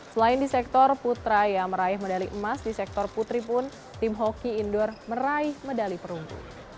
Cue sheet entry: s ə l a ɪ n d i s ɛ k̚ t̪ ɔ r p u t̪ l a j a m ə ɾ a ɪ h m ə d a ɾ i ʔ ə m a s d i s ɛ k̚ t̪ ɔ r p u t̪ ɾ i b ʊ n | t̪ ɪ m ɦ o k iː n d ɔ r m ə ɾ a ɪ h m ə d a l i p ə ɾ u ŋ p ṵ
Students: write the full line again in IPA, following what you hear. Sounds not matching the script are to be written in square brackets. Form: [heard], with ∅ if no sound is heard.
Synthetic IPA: s ə l a ɪ n d i s ɛ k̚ t̪ ɔ r p u t̪ [ɾ] a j a m ə ɾ a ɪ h m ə d a [l] i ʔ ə m a s d i s ɛ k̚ t̪ ɔ r p u t̪ ɾ i [p] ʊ n | t̪ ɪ m ɦ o k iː n d ɔ r m ə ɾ a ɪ h m ə d a l i p ə ɾ u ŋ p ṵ